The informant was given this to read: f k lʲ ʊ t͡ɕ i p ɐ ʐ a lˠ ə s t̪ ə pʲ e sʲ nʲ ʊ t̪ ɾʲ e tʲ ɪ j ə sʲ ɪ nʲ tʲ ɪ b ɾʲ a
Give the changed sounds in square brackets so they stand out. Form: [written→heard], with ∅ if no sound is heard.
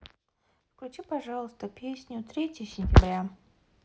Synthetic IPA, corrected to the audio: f k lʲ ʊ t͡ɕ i p ɐ ʐ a lˠ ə s t̪ ə pʲ e sʲ nʲ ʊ t̪ ɾʲ e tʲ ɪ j ə sʲ ɪ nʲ tʲ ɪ b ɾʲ a